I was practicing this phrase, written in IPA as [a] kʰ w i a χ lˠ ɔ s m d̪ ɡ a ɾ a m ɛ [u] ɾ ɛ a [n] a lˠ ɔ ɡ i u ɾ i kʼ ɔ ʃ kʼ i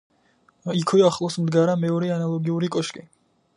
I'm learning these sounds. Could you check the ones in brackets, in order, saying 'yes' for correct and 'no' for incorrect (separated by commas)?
no, no, yes